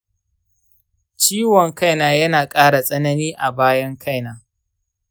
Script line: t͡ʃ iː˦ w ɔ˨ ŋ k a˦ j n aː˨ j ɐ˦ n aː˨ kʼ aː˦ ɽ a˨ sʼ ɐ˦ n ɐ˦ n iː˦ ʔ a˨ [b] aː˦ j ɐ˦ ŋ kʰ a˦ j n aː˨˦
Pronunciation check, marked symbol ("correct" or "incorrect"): correct